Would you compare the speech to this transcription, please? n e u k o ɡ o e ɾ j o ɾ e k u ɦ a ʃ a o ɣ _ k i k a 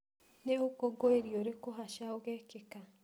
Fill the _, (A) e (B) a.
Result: A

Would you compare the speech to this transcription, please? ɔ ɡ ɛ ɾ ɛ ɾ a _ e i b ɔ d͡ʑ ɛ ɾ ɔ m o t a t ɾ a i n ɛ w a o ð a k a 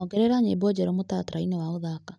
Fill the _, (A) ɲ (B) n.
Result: A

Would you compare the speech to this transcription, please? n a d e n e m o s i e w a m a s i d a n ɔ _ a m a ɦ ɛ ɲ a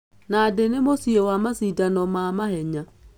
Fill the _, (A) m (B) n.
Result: A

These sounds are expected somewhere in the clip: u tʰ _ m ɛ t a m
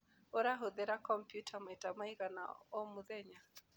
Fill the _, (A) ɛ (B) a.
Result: B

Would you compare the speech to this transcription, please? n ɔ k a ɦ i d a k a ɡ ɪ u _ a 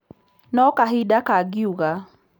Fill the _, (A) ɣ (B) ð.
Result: A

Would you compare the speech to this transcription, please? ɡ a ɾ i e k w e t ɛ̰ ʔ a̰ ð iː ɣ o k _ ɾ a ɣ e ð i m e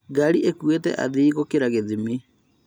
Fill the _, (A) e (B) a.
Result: A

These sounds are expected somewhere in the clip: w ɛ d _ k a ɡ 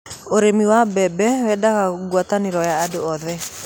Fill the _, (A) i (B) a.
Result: B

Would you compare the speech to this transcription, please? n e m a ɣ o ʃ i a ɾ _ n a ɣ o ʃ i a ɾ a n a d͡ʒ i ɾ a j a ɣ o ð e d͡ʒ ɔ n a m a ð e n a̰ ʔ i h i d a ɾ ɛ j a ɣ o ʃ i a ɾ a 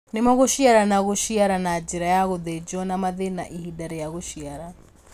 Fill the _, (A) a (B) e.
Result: A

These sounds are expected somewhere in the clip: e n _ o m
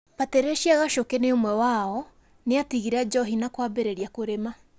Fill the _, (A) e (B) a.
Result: A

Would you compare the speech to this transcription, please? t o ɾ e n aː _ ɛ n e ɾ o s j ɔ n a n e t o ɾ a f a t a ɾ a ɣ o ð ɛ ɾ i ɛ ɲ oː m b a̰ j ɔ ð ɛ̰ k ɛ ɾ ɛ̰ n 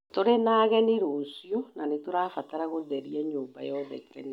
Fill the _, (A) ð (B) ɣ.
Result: B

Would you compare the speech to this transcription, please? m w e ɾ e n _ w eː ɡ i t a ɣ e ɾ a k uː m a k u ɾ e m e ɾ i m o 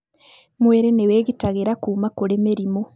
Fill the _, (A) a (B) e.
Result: B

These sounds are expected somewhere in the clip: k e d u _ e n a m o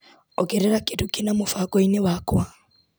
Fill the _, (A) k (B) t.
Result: A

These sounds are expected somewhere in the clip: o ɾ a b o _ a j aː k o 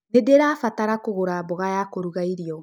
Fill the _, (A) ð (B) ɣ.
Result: B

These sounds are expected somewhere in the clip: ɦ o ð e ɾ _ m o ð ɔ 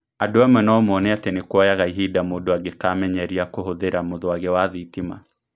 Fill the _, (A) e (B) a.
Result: B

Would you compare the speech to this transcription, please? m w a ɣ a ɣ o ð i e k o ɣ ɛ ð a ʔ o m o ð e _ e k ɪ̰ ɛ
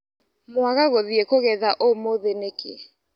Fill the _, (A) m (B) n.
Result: B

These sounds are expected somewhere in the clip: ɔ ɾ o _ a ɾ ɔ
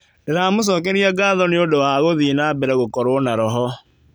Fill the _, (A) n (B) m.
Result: A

